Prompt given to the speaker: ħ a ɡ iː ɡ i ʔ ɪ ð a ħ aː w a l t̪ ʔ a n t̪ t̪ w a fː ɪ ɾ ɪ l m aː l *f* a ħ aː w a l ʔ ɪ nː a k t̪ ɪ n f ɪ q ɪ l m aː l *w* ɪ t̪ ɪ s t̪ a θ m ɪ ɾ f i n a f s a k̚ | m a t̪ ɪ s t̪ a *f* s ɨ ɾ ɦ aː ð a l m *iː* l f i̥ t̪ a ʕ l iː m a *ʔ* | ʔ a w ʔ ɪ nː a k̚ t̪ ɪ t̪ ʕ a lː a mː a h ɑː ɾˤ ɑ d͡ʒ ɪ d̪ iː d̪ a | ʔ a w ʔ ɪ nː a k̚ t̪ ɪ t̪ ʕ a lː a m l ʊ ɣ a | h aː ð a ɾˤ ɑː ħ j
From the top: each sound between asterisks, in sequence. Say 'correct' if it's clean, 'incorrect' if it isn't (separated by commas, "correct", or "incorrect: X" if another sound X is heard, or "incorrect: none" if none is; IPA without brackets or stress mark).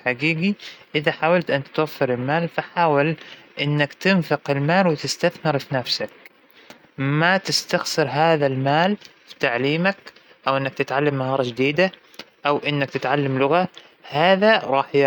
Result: correct, correct, incorrect: x, incorrect: aː, incorrect: k